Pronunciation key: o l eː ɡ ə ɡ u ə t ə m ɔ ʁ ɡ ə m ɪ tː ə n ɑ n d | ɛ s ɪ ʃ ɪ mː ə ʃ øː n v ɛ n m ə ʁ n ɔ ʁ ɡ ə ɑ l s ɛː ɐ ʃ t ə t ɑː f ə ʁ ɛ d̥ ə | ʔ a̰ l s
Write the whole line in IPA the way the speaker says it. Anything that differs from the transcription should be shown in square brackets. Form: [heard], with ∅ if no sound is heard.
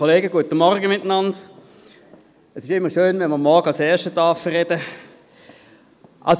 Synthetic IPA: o l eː ɡ ə ɡ u ə t ə m ɔ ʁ ɡ ə m ɪ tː ə n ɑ n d | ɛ s ɪ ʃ ɪ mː ə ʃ øː n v ɛ n m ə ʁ [m] ɔ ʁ ɡ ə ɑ l s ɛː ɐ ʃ t ə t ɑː f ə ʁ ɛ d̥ ə | ʔ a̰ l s